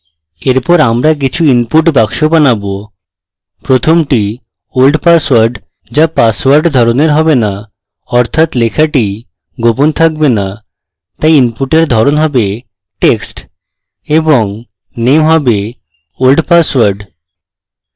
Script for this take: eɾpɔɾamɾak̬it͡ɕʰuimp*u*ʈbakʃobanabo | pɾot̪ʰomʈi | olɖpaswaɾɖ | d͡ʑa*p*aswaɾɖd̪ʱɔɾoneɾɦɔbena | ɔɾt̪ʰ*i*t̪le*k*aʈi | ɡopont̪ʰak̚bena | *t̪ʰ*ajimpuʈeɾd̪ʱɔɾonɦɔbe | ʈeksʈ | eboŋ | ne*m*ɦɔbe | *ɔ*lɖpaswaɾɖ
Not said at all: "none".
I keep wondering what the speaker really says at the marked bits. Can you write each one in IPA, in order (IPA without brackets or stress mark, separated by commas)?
u, p, a, kʰ, t̪, m, o